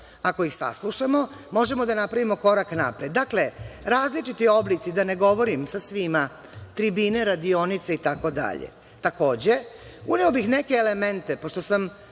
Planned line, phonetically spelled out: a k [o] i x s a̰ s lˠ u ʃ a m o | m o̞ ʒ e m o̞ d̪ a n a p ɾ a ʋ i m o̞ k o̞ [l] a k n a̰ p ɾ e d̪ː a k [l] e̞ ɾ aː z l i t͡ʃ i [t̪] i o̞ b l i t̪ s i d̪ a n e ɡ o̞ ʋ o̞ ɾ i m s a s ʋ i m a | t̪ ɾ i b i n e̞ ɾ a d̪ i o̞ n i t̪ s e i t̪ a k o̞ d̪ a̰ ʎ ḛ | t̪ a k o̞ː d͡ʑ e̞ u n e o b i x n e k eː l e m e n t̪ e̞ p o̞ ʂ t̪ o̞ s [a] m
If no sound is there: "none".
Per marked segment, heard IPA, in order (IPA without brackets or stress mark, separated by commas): o, ɾ, l, t̪, a